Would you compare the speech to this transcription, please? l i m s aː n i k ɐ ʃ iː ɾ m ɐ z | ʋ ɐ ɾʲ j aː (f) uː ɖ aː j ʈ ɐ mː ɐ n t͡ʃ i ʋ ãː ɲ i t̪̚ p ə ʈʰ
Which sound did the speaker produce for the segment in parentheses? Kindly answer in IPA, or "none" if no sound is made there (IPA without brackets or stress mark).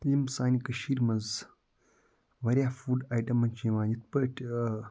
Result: f